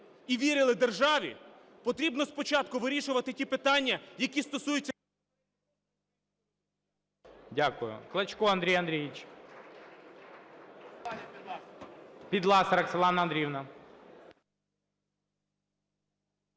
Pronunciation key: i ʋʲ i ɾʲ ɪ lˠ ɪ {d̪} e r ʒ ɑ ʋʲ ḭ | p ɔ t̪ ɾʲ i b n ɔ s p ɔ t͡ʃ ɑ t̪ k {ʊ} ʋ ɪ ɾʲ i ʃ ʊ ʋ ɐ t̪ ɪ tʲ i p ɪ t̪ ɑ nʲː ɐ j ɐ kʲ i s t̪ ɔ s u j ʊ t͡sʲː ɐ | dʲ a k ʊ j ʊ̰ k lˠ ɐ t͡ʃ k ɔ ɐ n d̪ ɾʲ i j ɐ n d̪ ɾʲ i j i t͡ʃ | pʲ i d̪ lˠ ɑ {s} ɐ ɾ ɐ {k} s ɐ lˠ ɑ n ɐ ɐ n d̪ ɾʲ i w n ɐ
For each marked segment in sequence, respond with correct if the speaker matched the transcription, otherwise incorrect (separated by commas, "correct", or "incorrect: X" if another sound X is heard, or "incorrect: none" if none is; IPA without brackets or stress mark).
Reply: correct, correct, correct, correct